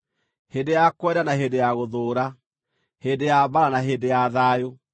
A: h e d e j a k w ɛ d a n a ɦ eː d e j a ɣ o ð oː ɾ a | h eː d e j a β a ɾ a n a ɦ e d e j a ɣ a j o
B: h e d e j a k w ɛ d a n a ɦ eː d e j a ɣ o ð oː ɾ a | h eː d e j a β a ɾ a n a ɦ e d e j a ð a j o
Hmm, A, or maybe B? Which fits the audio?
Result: B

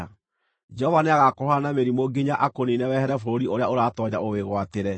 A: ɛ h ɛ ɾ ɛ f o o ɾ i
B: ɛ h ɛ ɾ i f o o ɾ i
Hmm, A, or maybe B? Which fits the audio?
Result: A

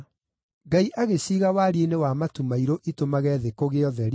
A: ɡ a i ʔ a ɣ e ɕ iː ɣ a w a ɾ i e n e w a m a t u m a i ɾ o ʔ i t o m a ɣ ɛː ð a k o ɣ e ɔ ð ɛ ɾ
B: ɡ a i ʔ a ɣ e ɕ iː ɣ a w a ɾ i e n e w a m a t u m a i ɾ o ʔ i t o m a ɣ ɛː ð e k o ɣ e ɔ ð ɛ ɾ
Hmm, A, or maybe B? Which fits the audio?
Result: B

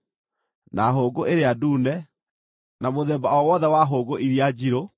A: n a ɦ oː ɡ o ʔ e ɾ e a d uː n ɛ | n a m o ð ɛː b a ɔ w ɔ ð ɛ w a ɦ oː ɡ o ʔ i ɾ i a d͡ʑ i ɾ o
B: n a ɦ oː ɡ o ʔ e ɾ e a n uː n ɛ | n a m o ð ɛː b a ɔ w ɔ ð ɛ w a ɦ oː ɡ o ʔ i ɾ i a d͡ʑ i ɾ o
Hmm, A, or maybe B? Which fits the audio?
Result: A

